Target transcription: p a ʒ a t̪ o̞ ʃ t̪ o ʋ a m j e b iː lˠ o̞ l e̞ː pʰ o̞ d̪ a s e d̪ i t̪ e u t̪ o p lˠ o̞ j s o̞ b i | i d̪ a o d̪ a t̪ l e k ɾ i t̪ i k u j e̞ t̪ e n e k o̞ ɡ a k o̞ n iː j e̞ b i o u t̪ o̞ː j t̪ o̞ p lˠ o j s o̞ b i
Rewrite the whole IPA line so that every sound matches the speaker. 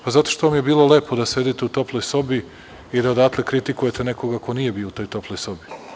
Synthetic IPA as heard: p a z a t̪ o̞ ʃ t̪ o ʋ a m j e b iː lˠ o̞ l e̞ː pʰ o̞ d̪ a s e d̪ i t̪ e u t̪ o p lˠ o̞ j s o̞ b i | i d̪ a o d̪ a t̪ l e k ɾ i t̪ i k u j e̞ t̪ e n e k o̞ ɡ a k o̞ n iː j e̞ b i o u t̪ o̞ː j t̪ o̞ p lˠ o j s o̞ b i